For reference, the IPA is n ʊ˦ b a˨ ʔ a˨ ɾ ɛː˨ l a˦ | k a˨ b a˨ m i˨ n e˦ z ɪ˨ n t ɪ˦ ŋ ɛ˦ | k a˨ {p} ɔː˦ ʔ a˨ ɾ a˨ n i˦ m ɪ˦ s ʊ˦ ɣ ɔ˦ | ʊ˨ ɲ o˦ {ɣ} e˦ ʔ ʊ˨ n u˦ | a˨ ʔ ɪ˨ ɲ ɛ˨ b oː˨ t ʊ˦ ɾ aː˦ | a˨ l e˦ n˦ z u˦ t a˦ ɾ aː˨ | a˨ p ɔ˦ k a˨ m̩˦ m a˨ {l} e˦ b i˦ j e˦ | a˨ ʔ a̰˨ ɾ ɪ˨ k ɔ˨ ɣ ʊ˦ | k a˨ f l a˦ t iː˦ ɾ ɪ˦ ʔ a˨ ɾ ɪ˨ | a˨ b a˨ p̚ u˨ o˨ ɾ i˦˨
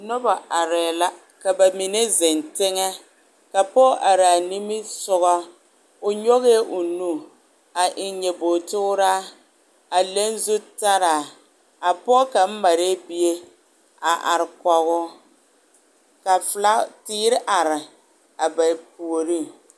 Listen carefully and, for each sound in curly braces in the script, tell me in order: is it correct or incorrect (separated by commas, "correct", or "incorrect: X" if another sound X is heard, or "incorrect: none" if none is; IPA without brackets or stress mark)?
correct, correct, incorrect: ɾ